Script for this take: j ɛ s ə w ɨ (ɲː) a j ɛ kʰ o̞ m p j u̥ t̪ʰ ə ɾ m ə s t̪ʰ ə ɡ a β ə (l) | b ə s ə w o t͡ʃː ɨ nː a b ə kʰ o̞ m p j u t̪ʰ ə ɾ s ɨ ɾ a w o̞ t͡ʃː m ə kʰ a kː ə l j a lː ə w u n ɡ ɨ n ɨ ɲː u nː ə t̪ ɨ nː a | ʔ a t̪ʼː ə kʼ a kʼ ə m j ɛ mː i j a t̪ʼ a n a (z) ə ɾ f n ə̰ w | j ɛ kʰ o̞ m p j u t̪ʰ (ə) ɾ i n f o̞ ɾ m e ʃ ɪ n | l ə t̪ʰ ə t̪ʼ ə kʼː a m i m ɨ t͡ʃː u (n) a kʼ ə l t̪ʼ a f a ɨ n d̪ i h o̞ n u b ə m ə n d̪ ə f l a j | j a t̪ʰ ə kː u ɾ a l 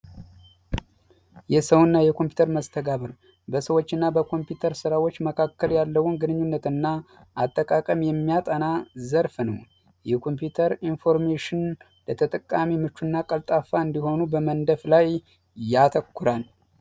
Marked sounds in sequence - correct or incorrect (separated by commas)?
incorrect, incorrect, correct, correct, incorrect